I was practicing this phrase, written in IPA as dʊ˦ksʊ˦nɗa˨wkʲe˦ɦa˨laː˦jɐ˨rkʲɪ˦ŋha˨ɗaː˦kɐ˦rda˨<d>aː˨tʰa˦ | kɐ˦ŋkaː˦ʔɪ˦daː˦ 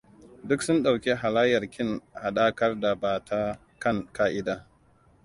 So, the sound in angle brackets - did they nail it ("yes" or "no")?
no